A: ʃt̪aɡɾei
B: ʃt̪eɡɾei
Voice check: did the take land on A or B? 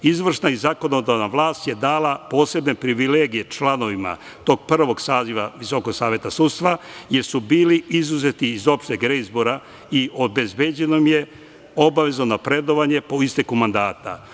B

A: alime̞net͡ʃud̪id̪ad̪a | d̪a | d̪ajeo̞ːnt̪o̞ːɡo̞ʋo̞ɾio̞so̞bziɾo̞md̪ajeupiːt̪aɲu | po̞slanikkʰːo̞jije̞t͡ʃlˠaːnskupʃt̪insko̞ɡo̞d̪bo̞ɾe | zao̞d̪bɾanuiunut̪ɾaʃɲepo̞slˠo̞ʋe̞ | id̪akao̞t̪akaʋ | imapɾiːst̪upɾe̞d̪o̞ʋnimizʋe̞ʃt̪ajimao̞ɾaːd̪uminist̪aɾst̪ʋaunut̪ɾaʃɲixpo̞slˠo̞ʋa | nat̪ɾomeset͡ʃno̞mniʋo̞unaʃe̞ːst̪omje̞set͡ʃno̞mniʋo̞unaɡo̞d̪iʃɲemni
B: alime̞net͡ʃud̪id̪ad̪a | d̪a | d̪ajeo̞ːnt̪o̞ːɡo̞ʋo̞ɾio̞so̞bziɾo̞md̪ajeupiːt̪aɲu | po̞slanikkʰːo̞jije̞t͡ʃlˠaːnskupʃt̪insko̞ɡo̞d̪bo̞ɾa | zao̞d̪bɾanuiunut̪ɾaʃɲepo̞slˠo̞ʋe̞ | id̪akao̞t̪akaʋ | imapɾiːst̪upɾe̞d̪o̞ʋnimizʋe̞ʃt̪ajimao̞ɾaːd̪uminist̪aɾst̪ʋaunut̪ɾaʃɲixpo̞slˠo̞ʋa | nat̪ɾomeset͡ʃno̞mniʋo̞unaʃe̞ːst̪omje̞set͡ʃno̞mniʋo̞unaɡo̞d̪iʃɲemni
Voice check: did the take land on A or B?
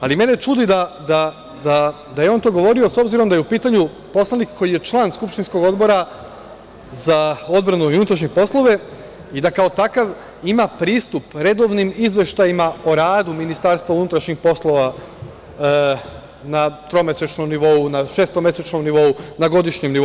B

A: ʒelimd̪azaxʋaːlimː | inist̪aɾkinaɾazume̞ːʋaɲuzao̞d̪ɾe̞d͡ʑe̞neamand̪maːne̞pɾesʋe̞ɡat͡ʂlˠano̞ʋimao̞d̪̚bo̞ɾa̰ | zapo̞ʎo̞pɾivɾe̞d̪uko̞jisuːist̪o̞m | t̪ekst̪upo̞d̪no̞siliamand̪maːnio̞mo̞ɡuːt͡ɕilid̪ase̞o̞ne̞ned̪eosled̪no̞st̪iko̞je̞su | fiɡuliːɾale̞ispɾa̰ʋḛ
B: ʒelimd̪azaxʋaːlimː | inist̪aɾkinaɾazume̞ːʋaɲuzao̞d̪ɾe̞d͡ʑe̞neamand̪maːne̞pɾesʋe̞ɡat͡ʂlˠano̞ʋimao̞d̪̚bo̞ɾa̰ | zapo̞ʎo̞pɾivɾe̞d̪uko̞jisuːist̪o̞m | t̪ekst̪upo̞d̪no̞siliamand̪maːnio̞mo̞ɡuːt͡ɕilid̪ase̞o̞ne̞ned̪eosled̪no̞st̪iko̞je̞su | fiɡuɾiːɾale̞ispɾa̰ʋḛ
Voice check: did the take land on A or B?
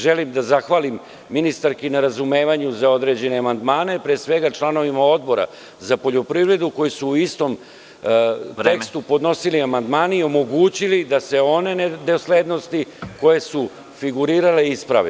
B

